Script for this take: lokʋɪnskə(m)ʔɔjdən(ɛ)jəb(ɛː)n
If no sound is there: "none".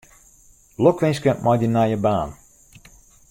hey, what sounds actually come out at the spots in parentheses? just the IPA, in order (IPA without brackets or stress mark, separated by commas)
m, a, aː